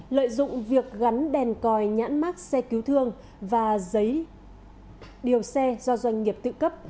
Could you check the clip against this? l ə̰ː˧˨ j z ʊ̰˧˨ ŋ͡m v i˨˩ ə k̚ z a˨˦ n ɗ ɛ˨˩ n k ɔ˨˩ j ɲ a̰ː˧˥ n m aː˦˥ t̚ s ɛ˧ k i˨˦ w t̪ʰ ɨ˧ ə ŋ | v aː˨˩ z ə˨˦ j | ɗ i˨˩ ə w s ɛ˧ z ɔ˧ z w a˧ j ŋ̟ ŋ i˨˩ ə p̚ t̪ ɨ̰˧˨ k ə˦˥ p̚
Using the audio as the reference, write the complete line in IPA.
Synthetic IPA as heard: l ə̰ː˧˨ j z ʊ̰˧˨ ŋ͡m v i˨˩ ə k̚ ɣ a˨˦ n ɗ ɛ˨˩ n k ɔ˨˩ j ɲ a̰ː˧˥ n m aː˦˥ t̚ s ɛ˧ k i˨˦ w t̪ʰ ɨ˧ ə ŋ | v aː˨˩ z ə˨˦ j | ɗ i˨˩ ə w s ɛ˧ z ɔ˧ z w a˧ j ŋ̟ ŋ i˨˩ ə p̚ t̪ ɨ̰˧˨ k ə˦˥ p̚